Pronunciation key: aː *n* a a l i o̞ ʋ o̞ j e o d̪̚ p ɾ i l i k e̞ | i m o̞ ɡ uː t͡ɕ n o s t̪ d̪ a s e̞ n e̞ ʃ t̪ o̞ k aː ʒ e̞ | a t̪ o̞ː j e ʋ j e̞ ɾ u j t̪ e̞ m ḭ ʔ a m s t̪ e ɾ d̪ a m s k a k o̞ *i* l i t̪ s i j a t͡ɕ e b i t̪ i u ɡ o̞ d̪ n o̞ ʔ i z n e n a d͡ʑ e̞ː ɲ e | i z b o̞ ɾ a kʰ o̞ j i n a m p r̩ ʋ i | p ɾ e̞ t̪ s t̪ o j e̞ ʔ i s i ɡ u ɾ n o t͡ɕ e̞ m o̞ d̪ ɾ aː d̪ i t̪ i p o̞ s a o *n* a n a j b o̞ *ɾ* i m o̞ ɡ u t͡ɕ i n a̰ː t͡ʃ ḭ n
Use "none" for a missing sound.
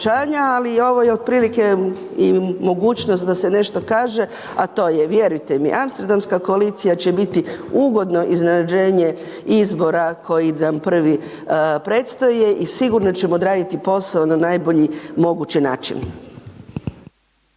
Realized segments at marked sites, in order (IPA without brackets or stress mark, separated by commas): ɲ, a, n, ʎ